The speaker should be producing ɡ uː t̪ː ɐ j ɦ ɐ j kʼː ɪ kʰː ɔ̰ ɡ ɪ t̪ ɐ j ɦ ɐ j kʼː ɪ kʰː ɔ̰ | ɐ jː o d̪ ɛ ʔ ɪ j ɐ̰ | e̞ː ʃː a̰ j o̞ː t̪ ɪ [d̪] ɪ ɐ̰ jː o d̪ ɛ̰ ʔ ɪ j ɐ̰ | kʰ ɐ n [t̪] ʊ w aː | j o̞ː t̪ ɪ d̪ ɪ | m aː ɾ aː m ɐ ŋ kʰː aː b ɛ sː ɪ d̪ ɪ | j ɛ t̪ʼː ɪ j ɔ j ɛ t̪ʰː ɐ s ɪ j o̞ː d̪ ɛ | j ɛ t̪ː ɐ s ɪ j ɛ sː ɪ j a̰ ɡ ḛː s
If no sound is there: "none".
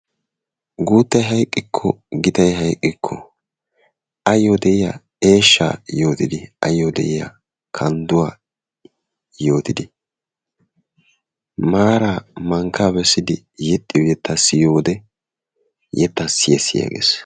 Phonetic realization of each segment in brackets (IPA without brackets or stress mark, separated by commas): d̪, d̪